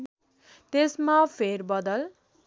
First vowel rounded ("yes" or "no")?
no